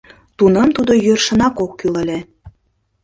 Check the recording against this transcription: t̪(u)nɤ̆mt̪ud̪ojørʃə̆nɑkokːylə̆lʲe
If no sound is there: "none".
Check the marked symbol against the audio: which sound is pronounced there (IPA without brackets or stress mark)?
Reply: u